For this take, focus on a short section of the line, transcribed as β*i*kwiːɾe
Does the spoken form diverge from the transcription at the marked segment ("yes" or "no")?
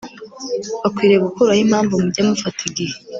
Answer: yes